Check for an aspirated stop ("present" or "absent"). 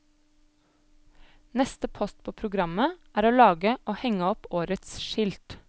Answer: present